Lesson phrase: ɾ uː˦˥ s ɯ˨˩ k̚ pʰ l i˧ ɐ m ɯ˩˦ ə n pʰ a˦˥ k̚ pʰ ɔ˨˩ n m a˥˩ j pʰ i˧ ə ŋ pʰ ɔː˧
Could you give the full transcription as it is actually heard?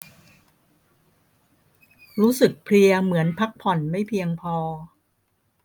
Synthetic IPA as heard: ɾ uː˦˥ s ɯ˨˩ k̚ pʰ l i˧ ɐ m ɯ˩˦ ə n pʰ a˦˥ k̚ pʰ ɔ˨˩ n m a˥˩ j pʰ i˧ ə ŋ pʰ ɔː˧